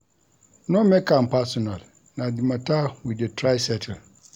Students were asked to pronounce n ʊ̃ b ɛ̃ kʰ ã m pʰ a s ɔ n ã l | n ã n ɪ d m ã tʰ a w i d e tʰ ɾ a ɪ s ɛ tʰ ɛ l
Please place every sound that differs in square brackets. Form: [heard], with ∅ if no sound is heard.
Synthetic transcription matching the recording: n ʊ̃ [m] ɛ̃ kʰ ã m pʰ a s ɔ n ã l | n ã [d] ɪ [∅] m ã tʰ a w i d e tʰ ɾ a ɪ s ɛ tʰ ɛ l